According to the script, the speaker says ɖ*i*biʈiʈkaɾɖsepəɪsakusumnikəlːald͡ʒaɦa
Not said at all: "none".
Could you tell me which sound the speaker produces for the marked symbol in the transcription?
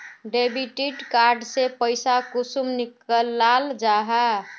e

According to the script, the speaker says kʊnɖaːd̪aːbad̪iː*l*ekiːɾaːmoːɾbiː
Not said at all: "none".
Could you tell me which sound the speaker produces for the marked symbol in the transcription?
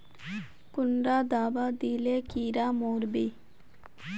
l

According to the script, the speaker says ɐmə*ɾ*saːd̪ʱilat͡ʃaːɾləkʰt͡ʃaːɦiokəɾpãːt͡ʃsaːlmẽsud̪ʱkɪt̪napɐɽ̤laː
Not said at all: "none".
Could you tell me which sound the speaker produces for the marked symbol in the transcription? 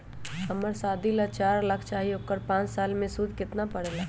ɾ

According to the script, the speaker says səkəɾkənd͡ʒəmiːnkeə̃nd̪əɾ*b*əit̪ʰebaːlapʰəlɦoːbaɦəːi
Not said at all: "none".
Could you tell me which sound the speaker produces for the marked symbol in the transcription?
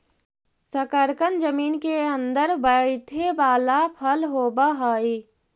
b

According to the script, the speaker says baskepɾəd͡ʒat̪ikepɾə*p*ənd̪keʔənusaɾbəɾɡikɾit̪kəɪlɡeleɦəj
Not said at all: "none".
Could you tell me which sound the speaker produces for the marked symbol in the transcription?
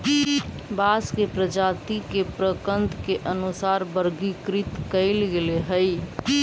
k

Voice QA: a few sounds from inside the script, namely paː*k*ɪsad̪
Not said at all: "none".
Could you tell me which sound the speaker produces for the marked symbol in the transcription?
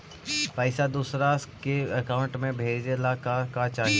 none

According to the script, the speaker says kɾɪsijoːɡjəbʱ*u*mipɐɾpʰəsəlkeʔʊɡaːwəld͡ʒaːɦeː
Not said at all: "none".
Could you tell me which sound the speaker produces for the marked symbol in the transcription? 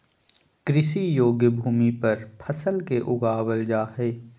uː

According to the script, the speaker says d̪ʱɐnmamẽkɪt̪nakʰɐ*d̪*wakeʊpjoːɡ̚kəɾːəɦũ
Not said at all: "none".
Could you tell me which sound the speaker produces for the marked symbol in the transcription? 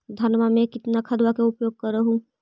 d̪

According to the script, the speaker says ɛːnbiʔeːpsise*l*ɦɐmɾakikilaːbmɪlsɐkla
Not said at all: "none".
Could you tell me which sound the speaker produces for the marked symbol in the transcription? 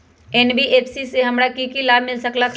none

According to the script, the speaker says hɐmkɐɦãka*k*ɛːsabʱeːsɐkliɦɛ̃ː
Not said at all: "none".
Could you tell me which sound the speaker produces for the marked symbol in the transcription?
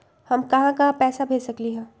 p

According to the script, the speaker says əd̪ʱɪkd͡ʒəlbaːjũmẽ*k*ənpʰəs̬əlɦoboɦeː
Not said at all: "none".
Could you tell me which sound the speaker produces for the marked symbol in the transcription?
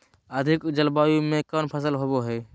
k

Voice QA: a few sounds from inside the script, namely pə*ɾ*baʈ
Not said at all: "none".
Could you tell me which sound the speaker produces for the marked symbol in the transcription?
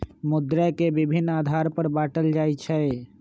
ɾ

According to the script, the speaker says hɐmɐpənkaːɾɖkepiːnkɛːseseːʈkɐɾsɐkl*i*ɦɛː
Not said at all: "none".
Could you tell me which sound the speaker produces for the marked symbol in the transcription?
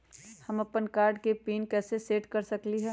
i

